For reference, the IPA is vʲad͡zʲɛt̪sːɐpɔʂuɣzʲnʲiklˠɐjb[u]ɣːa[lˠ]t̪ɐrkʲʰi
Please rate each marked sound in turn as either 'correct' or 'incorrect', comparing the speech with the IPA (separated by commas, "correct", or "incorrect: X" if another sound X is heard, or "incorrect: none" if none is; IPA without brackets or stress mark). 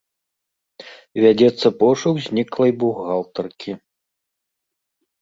correct, correct